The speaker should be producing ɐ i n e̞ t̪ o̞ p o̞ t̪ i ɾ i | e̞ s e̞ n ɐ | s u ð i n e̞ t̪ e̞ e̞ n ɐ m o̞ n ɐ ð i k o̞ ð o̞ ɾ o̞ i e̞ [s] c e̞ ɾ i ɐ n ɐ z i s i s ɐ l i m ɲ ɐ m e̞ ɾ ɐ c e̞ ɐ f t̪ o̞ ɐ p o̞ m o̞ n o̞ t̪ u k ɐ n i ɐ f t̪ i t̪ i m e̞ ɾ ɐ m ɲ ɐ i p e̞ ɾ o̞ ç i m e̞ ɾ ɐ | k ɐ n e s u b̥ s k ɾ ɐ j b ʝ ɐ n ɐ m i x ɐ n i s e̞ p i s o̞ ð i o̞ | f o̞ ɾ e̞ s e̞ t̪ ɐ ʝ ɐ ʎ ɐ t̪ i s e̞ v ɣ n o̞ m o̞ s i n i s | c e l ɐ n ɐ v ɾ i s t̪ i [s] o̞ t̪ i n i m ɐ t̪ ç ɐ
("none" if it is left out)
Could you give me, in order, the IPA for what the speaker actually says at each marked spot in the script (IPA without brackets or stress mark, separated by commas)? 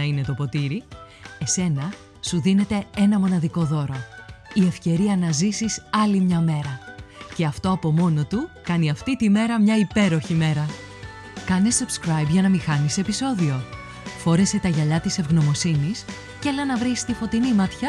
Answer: f, f